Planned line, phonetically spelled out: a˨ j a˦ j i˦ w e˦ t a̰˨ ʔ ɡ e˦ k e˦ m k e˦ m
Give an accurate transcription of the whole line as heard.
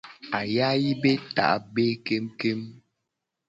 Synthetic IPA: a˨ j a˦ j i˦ b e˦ t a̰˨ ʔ b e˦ k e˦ m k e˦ m